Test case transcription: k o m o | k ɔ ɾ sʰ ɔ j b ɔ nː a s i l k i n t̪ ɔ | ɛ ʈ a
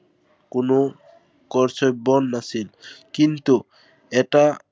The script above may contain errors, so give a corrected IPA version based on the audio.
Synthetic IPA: k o n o | k ɔ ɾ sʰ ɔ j b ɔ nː a s i l k i n t̪ u | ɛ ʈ a